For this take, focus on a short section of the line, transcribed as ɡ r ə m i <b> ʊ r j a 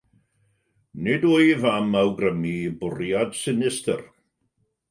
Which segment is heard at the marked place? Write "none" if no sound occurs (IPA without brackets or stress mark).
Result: b